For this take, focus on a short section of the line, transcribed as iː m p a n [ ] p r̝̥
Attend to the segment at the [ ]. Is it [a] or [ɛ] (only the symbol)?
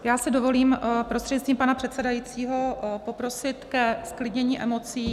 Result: a